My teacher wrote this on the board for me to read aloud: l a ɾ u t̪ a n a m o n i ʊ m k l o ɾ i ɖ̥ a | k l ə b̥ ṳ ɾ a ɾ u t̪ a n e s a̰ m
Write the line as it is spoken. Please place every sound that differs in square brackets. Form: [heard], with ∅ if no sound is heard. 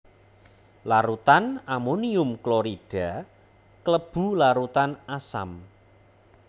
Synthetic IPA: l a ɾ u t̪ a n a m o n i ʊ m k l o ɾ i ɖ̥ a | k l ə b̥ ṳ [l] a ɾ u t̪ a n [a] s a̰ m